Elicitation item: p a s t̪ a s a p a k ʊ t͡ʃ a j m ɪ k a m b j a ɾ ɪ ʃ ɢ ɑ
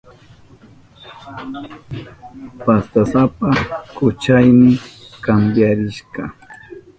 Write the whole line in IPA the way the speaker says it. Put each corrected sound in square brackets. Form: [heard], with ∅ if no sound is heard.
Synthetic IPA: p a s t̪ a s a p a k ʊ t͡ʃ a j m ɪ k a m b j a ɾ ɪ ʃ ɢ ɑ

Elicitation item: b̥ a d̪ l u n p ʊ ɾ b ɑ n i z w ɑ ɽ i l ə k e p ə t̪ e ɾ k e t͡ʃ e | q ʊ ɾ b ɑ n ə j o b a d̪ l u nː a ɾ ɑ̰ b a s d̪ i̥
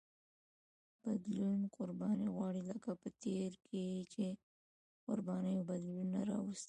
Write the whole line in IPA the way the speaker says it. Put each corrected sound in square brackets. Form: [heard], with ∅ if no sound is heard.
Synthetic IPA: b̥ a d̪ l u n [q] ʊ ɾ b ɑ n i [ɣ] w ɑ ɽ i l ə k [a] p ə t̪ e ɾ k e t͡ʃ e | q ʊ ɾ b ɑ n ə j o b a d̪ l u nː a ɾ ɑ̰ [w] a s [t̪] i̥

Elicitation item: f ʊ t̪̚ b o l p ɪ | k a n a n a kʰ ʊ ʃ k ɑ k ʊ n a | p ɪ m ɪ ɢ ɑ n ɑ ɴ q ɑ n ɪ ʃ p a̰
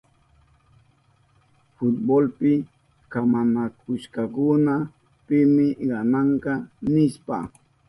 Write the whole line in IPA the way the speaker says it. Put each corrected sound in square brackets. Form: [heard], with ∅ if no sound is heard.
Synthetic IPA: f ʊ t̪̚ b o l p ɪ | k a [m] a n a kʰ ʊ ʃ k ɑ k ʊ n a | p ɪ m ɪ ɢ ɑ n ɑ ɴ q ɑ n ɪ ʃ p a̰

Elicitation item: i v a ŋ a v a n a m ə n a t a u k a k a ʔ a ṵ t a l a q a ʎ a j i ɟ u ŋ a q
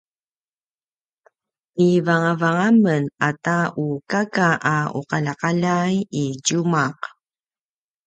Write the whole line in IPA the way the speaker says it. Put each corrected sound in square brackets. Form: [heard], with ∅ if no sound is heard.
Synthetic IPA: i v a ŋ a v a [ŋ] a m ə n a t a u k a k a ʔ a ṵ [q] a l a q a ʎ a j i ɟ u [m] a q

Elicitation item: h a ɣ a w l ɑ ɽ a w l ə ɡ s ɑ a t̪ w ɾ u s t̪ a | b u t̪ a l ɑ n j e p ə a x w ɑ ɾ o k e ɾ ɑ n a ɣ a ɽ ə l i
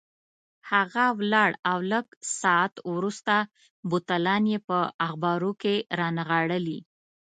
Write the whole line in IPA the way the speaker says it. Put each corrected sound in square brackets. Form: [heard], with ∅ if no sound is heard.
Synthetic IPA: h a ɣ a w l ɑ ɽ a w l ə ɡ s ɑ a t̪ w ɾ u s t̪ a | b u t̪ a l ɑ n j e p ə a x [b] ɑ ɾ o k e ɾ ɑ n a ɣ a ɽ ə l i

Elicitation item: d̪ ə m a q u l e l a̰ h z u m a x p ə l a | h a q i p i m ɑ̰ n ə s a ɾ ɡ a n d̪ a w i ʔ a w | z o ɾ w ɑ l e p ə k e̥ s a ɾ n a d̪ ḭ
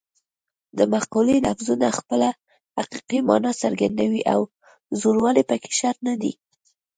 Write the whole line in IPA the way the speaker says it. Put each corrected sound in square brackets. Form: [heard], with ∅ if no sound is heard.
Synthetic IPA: d̪ ə m a q u l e l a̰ [f] z u [n] a x p ə l a | h a q i [q] i m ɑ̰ n [ɑ] s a ɾ ɡ a n d̪ a w i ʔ a w | z o ɾ w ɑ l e p ə k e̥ [ʃ] a ɾ n a d̪ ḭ

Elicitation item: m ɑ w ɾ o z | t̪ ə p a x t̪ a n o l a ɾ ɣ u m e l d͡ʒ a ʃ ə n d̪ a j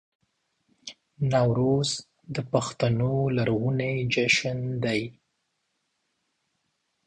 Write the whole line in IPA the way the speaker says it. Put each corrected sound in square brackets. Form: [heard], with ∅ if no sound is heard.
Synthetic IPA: [n] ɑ w ɾ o z | [d̪] ə p a x t̪ a n o l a ɾ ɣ u [n] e [∅] d͡ʒ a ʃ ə n d̪ a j

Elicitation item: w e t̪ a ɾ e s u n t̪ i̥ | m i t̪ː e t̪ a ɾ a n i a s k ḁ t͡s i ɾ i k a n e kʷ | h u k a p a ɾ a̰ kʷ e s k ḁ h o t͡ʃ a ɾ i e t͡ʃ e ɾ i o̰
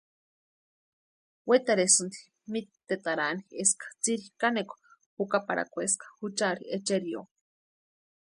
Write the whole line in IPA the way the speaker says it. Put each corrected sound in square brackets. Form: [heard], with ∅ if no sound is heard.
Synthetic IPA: w e t̪ a ɾ e s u n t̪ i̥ | m i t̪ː e t̪ a ɾ a n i [e] s k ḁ t͡s i ɾ i k a n e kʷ | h u k a p a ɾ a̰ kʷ e s k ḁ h [u] t͡ʃ a ɾ i e t͡ʃ e ɾ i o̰

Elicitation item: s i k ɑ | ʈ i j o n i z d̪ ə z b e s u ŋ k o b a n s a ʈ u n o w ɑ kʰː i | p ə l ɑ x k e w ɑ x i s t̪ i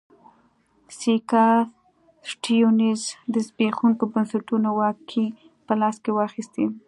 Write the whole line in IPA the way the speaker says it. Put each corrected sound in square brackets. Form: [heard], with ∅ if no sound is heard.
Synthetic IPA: s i k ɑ | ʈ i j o n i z d̪ ə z b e [x] u ŋ k o b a n s a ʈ u n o w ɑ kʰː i | p ə l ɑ [s] k e w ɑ x i s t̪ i

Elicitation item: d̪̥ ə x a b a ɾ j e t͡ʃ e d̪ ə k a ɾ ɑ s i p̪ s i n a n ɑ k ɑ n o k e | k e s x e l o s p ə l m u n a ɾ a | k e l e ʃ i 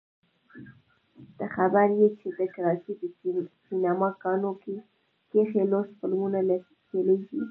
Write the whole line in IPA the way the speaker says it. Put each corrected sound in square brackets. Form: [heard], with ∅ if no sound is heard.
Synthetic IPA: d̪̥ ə x a b a ɾ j e t͡ʃ e d̪ ə k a ɾ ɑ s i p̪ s i n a [m] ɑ k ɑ n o k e | k e [∅] x e l o s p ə l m u n a [l] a | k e l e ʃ i

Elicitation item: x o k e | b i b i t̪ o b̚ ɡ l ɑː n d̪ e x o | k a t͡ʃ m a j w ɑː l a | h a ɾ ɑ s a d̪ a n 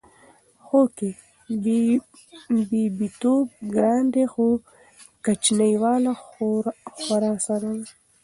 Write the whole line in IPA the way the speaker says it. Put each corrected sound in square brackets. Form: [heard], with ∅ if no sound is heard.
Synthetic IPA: x o k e | b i b i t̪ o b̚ ɡ [ɾ] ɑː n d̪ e x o | k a t͡ʃ [n] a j w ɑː l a | [x] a ɾ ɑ s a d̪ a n

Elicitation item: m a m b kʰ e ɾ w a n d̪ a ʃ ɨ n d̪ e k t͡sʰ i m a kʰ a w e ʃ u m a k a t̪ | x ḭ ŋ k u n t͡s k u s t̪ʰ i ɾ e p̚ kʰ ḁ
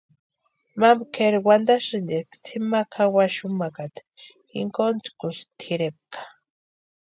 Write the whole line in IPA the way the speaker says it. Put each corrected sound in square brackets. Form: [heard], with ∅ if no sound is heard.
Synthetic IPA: m a m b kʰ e ɾ w a n d̪ a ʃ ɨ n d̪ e k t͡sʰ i m a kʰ a w [a] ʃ u m a k a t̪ | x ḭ ŋ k [o] n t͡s k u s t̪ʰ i ɾ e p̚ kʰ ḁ

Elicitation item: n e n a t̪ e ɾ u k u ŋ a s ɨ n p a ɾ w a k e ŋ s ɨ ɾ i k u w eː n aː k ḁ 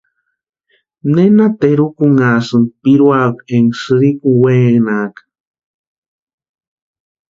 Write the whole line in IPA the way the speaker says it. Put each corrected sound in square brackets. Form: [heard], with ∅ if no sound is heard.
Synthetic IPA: n e n a t̪ e ɾ u k u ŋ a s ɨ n p [i] ɾ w a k e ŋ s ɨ ɾ i k u w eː n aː k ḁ

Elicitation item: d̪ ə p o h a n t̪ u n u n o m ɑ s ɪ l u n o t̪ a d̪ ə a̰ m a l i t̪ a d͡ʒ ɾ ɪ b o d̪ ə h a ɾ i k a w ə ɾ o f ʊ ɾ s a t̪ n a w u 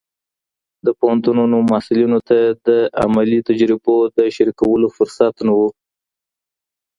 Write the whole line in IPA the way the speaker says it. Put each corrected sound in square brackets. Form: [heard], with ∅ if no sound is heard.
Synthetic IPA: d̪ ə p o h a n t̪ u n u n o m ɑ s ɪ l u n o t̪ a d̪ ə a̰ m a l i t̪ a d͡ʒ ɾ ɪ b o d̪ ə [ʃ] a ɾ i k a w ə [l] o f ʊ ɾ s a t̪ n a w u

